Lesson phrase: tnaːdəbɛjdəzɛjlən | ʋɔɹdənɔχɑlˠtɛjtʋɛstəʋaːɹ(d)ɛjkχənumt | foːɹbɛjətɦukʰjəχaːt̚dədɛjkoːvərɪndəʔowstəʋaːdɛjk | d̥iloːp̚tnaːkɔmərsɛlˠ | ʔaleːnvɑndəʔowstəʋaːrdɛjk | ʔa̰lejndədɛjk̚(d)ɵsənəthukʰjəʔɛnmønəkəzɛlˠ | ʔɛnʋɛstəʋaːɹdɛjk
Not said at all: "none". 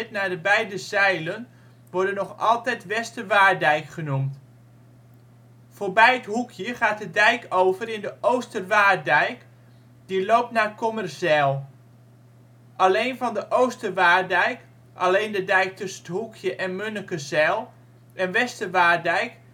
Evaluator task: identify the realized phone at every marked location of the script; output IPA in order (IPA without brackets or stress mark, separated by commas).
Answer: d, t